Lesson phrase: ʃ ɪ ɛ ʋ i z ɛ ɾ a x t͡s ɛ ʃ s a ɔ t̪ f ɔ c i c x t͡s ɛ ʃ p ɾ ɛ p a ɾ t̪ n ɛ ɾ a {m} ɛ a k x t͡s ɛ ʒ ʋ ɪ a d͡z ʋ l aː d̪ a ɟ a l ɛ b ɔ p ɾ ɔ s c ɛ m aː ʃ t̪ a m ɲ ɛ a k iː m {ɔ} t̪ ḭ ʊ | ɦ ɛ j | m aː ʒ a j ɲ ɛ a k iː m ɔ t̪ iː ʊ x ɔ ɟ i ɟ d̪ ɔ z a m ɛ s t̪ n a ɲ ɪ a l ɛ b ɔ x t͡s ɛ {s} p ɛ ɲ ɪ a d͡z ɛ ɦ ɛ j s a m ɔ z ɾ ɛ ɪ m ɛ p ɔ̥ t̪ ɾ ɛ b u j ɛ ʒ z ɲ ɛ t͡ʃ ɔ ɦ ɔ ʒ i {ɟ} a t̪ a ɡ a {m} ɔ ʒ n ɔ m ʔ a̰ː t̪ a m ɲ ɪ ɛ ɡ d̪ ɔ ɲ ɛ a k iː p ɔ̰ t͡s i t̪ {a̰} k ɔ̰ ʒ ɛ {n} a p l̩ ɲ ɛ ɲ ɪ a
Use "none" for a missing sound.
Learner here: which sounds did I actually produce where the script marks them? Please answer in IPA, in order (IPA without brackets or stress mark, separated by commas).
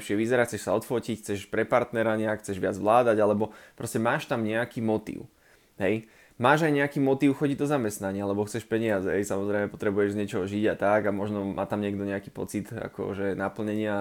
ɲ, ɔ, ʃ, ɟ, m, a̰, n